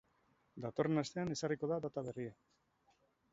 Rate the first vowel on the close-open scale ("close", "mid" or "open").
open